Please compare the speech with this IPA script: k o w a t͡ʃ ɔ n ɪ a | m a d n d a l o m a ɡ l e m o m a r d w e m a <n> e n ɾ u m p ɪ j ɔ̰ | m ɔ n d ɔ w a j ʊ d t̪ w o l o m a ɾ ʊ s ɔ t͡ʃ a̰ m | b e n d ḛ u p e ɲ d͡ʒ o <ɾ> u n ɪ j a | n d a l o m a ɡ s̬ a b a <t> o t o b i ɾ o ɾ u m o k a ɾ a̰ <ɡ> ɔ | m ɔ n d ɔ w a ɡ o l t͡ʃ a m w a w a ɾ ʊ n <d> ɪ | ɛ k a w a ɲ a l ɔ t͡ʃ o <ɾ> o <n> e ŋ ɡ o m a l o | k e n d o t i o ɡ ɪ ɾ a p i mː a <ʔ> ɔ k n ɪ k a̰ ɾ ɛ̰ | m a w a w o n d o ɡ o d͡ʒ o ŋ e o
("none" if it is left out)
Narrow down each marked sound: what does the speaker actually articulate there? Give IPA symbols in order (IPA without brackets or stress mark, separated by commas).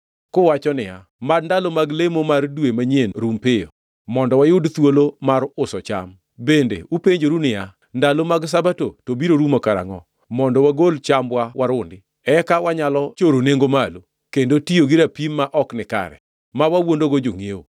ɲ, ɾ, t, ŋ, d, ɾ, n, ʔ